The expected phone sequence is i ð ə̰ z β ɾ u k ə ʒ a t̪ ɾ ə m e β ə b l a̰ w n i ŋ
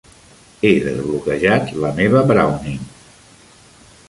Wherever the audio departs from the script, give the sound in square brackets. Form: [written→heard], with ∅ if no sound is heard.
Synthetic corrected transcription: [i→e] ð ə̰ z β [ɾ→l] u k ə ʒ a t̪ [ɾ→l] ə m e β ə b [l→ɾ] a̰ w n i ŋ